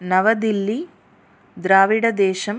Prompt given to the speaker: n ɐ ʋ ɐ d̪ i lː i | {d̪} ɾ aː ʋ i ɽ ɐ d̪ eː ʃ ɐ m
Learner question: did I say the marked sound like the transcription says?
yes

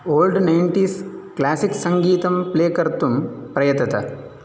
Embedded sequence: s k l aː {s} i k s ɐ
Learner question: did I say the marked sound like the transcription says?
yes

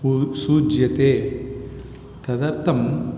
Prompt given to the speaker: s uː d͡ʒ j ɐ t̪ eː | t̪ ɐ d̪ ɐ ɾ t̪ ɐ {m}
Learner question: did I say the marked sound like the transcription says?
yes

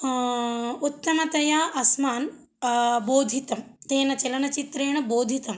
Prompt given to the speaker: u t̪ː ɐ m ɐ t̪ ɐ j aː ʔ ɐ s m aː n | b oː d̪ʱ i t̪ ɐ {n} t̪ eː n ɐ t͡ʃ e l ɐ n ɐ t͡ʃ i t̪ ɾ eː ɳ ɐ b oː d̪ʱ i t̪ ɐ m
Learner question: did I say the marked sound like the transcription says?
no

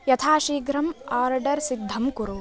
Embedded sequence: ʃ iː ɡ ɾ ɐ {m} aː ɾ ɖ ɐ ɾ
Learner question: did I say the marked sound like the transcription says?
yes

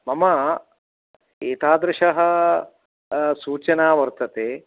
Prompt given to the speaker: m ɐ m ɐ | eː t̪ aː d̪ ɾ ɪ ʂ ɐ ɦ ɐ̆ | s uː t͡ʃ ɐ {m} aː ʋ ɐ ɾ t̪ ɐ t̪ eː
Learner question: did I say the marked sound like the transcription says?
no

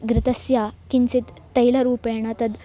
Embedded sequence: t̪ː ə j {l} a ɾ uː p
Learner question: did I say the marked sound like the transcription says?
yes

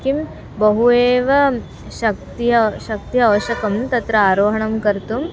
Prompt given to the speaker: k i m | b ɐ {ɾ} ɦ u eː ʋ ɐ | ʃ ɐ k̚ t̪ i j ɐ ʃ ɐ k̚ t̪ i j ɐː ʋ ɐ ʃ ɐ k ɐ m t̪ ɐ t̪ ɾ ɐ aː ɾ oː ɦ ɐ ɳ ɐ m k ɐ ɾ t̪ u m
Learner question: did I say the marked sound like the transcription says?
no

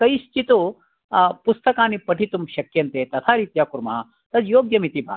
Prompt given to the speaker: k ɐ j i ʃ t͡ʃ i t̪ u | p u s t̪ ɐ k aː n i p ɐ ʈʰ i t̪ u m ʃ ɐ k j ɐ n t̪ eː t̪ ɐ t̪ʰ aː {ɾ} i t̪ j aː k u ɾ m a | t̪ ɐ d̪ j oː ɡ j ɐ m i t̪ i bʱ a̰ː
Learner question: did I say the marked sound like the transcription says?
yes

